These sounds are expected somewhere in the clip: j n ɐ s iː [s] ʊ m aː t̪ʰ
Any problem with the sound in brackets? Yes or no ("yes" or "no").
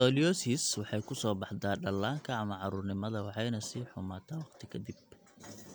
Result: yes